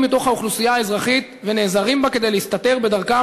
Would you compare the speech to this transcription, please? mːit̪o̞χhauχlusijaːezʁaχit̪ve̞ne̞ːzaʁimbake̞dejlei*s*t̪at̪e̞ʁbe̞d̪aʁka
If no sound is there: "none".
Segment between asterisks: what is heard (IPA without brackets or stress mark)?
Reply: s